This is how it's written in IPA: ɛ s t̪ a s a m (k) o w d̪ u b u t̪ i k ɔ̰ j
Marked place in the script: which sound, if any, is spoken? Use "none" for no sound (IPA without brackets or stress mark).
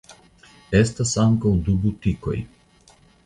k